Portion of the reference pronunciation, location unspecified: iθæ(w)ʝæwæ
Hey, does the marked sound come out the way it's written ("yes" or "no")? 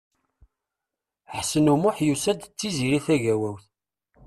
no